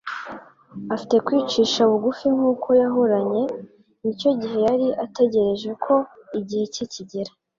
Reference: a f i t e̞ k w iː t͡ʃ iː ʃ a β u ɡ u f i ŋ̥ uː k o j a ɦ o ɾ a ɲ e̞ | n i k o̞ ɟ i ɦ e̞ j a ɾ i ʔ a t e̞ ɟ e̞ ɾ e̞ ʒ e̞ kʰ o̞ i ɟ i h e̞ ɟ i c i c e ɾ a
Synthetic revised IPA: a f i t e̞ k w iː t͡ʃ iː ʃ a β u ɡ u f i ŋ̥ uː k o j a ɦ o ɾ a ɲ e̞ | n i c o̞ ɟ i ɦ e̞ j a ɾ i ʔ a t e̞ ɟ e̞ ɾ e̞ ʒ e̞ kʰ o̞ i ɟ i h e̞ c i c i ɟ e ɾ a